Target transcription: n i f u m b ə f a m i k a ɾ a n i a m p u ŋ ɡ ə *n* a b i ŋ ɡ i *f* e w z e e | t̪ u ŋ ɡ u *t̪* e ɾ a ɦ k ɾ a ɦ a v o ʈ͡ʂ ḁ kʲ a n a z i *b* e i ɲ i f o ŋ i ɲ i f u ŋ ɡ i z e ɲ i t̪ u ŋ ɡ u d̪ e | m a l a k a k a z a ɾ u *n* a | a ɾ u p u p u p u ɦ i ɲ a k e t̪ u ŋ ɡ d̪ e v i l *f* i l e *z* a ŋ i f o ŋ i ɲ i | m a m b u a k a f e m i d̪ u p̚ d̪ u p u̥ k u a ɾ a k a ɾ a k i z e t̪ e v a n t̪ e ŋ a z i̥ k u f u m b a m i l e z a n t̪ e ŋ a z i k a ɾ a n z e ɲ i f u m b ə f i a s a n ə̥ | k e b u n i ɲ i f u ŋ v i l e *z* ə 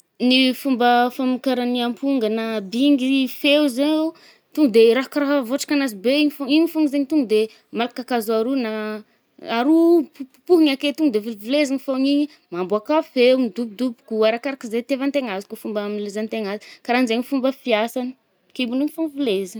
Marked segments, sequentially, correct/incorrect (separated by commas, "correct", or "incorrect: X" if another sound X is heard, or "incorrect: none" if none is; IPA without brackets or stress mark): correct, correct, incorrect: d̪, correct, correct, incorrect: v, correct, correct